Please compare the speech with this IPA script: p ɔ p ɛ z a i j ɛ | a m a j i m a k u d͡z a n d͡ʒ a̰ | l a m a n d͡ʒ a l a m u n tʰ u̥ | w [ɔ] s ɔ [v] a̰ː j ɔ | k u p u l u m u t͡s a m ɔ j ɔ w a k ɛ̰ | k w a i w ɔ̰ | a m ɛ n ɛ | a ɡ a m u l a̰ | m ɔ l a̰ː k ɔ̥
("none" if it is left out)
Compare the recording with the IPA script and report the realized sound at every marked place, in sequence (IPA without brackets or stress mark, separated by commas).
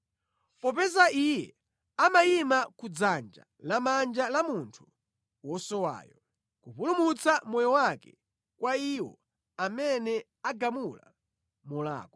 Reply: ɔ, w